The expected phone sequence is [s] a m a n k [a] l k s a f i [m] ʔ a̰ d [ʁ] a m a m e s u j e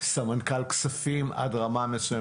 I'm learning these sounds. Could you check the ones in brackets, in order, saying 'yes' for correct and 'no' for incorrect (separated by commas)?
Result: yes, yes, yes, yes